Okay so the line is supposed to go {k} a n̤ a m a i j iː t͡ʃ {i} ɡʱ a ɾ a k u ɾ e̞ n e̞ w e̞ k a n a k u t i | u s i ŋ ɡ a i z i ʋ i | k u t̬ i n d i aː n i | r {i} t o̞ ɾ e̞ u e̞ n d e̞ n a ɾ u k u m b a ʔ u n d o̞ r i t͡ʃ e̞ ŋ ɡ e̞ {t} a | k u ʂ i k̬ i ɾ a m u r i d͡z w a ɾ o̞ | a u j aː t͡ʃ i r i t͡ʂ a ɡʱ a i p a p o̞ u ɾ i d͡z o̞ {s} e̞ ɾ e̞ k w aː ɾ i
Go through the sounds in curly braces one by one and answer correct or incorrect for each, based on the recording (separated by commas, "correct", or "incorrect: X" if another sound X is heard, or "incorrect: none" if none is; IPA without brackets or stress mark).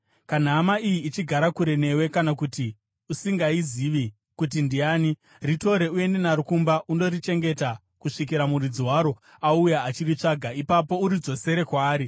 correct, correct, correct, correct, correct